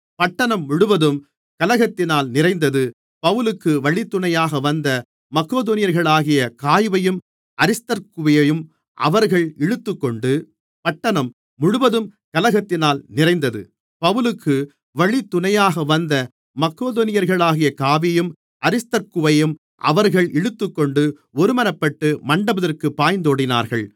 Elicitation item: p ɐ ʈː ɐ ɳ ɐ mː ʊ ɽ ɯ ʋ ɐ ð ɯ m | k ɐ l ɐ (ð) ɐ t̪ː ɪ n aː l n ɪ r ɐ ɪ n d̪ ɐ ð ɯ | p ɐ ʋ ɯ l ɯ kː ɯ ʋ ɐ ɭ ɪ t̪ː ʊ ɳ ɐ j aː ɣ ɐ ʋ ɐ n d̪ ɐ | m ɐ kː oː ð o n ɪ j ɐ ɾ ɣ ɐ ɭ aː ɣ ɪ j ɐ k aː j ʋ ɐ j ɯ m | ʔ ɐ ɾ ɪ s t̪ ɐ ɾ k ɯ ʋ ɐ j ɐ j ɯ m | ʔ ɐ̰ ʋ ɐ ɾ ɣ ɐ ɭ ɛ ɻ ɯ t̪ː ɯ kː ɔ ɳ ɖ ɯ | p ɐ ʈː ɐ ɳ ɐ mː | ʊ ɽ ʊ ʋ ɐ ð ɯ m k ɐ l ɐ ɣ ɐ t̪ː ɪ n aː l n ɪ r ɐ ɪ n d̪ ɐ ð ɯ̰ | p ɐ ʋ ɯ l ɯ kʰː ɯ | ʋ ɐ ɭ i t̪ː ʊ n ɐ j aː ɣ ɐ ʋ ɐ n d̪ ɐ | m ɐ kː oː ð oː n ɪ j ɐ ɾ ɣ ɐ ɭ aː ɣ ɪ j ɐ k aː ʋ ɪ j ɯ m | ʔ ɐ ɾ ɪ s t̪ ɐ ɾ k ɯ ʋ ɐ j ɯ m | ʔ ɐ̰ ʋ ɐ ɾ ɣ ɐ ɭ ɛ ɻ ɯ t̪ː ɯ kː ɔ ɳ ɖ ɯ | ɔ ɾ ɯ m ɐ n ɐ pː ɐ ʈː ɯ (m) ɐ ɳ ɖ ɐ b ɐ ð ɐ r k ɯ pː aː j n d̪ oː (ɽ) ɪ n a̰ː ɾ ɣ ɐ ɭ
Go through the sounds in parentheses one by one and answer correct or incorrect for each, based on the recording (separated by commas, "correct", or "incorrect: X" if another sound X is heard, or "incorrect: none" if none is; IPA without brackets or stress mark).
incorrect: ɣ, correct, correct